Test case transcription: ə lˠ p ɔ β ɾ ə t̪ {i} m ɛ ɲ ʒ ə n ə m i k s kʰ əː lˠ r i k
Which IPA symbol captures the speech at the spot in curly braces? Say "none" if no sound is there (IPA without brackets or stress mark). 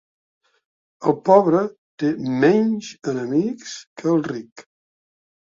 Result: e